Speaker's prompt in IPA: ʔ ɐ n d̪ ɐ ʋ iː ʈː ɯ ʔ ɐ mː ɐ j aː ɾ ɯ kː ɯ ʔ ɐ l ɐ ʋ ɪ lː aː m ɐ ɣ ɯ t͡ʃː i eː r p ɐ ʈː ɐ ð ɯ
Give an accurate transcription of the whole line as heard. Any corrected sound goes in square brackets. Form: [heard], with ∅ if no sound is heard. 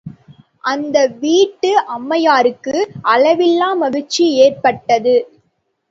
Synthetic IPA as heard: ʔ ɐ n d̪ ɐ ʋ iː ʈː ɯ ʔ ɐ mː ɐ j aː ɾ ɯ kː ɯ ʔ ɐ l ɐ ʋ ɪ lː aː m ɐ ɣ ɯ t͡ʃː i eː r p ɐ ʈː ɐ ð ɯ